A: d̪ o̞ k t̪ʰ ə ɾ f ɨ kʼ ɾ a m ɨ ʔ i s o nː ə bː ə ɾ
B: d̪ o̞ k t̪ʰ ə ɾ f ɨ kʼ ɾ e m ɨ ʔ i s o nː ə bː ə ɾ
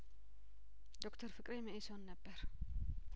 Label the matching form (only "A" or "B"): B